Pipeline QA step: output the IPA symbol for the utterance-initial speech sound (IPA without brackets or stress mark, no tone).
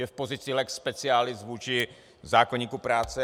ɛ